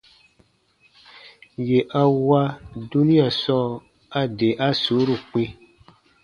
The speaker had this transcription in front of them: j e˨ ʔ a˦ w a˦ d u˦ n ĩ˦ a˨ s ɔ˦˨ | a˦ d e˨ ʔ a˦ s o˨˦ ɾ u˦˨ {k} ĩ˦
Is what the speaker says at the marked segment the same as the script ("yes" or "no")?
no